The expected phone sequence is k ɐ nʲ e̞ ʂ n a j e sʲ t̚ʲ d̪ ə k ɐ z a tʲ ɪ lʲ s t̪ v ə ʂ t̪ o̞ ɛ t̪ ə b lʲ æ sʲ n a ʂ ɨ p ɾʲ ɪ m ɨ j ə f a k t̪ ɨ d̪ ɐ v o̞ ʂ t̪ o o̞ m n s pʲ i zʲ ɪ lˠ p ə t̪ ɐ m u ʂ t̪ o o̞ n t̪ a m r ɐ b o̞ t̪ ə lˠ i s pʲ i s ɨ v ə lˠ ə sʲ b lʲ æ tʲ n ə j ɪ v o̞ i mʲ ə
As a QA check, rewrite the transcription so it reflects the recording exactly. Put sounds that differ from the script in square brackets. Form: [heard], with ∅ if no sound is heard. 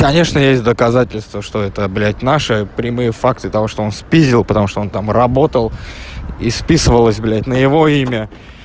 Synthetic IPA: k ɐ nʲ e̞ ʂ n [ə] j e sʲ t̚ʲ d̪ ə k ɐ z a tʲ ɪ lʲ s t̪ v ə ʂ t̪ o̞ ɛ t̪ ə b lʲ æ [tʲ] n a ʂ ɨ p ɾʲ ɪ m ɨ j ə f a k t̪ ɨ [t̪] ɐ v o̞ ʂ t̪ o o̞ [∅] n s pʲ i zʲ ɪ lˠ p ə t̪ ɐ m u ʂ t̪ o o̞ n t̪ a m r ɐ b o̞ t̪ ə lˠ i s pʲ i s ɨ v ə lˠ ə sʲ b lʲ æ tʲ n ə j ɪ v o̞ i mʲ ə